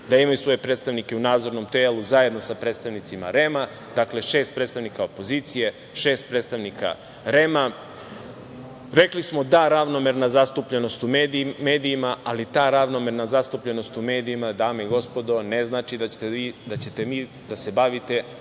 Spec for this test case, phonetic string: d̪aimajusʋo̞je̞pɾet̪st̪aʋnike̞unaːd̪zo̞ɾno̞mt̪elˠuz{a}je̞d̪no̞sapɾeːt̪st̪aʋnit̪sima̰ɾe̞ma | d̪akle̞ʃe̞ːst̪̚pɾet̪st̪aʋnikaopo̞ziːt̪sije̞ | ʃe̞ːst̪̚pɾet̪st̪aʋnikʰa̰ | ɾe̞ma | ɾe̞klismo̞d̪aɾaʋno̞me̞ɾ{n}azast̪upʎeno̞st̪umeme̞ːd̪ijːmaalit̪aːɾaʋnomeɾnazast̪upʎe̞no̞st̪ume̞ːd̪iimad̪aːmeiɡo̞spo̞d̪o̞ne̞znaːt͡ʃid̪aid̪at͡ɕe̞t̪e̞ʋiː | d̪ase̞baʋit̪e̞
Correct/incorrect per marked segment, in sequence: correct, correct

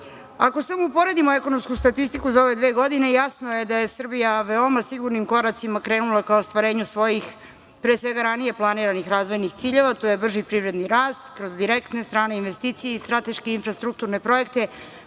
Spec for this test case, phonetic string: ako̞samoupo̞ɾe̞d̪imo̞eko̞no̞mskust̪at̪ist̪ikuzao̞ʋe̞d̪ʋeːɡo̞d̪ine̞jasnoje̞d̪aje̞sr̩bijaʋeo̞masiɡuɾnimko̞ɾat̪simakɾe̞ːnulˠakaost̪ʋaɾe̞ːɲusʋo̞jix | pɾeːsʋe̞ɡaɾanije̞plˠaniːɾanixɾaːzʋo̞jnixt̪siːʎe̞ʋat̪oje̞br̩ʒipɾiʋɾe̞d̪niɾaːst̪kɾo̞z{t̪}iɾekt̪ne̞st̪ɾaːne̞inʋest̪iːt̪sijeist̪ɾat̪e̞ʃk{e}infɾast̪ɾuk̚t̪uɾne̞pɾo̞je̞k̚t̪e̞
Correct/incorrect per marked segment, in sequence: incorrect: d̪, correct

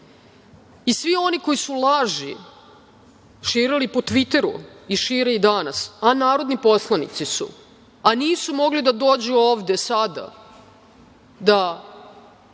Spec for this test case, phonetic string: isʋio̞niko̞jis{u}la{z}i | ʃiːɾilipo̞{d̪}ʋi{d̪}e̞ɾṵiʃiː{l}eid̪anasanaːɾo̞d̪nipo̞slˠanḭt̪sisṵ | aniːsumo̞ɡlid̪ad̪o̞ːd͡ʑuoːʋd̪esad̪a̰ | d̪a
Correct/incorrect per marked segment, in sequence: correct, incorrect: ʒ, incorrect: t̪, incorrect: t̪, incorrect: ɾ

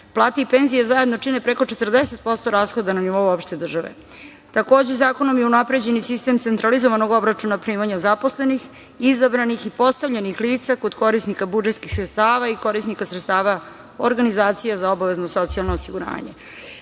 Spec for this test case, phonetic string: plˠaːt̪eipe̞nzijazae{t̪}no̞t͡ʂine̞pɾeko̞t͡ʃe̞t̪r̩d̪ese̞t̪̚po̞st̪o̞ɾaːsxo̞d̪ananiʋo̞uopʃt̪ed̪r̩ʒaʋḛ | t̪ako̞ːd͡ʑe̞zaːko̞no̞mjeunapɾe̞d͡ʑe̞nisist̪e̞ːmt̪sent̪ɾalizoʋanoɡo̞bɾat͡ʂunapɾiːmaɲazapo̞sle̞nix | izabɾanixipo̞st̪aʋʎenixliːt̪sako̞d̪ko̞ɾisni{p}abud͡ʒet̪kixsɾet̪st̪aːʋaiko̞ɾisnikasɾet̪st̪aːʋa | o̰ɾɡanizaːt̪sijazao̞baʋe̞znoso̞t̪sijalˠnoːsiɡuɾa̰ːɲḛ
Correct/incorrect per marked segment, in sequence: incorrect: d̪, incorrect: k

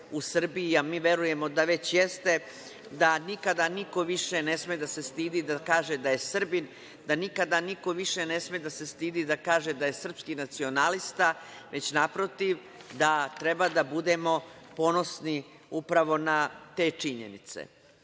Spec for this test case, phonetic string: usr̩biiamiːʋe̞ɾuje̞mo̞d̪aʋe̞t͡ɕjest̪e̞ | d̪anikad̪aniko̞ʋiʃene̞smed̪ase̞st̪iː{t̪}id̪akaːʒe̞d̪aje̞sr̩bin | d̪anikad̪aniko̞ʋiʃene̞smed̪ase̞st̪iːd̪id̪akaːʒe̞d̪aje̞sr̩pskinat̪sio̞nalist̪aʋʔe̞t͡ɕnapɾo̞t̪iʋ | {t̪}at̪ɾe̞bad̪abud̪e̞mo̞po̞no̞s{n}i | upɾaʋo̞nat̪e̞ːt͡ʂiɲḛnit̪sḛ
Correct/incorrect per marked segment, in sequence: incorrect: d̪, incorrect: d̪, correct

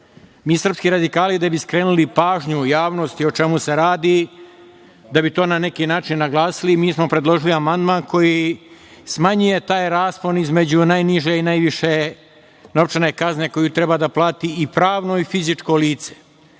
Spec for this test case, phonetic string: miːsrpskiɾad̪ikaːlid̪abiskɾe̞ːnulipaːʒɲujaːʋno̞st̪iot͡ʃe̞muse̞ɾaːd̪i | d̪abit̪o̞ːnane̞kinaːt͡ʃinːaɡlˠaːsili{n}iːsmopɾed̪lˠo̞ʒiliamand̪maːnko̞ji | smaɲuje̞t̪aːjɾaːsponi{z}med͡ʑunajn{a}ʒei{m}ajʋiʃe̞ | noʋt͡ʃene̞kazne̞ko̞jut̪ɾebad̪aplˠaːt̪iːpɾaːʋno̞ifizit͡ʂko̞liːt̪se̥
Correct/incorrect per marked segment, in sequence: incorrect: m, correct, incorrect: i, incorrect: n

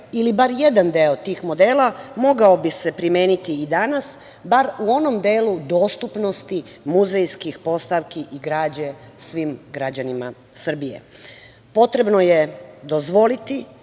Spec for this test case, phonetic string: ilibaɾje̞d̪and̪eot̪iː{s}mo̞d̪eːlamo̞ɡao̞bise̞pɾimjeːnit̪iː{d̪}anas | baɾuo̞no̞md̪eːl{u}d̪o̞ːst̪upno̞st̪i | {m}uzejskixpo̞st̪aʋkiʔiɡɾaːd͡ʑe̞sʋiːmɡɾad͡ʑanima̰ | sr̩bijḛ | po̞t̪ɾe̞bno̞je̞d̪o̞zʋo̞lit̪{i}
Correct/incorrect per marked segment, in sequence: incorrect: x, correct, correct, correct, correct

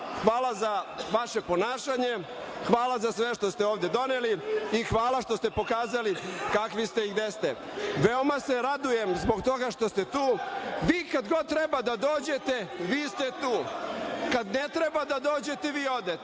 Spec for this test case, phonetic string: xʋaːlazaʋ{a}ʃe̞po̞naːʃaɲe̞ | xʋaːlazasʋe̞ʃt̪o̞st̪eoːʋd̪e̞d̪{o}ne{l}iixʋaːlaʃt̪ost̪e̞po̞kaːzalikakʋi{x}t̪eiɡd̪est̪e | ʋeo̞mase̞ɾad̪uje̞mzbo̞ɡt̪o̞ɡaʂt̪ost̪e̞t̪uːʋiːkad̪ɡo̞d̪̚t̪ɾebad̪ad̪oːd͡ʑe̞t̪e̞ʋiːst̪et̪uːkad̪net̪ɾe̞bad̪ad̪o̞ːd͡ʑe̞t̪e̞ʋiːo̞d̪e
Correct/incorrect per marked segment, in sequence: correct, correct, correct, incorrect: s

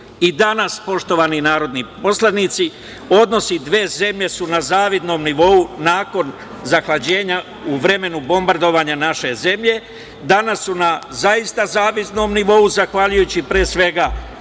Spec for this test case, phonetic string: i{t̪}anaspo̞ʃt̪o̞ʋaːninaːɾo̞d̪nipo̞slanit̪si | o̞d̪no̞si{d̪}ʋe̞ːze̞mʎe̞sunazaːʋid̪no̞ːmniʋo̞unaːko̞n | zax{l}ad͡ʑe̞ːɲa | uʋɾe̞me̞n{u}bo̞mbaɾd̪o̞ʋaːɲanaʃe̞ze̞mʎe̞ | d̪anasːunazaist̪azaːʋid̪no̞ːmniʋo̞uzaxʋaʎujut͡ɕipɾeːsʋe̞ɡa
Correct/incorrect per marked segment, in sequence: incorrect: d̪, correct, correct, correct

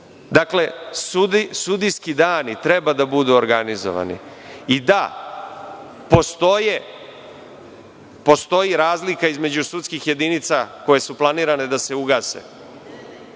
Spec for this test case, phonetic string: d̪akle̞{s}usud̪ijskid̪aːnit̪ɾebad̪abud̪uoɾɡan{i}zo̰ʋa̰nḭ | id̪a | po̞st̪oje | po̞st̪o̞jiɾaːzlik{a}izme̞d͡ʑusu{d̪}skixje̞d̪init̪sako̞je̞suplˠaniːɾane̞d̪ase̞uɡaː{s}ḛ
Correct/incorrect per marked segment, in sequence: correct, correct, correct, incorrect: t̪, correct

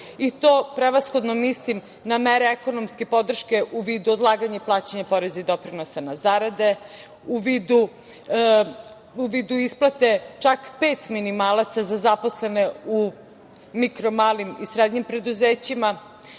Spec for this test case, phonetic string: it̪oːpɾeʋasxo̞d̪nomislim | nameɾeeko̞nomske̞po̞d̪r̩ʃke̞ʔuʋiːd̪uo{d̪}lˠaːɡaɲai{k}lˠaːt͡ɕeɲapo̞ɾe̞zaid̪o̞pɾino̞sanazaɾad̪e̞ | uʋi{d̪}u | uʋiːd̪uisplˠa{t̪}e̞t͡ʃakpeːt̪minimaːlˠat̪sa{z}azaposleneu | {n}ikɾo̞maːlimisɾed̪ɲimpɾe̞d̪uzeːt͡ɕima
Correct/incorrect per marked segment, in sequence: correct, incorrect: p, correct, correct, correct, incorrect: m

